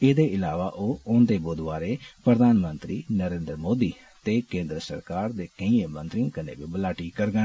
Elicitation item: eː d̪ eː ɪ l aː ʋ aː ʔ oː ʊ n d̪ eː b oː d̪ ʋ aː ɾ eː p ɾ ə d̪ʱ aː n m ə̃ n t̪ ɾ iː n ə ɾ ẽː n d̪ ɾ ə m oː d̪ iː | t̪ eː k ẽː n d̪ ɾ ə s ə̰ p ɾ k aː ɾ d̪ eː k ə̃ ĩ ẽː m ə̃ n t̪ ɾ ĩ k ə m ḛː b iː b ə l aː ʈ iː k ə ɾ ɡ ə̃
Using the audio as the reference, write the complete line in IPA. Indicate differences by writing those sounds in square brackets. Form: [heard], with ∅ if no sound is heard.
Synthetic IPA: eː d̪ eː ɪ l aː ʋ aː ʔ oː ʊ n d̪ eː b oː d̪ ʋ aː ɾ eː p ɾ ə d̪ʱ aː n m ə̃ n t̪ ɾ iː n ə ɾ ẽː n d̪ ɾ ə m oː d̪ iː | t̪ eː k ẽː n d̪ ɾ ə s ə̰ [∅] ɾ k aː ɾ d̪ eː k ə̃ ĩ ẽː m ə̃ n t̪ ɾ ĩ k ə [n] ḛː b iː b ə l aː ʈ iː k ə ɾ ɡ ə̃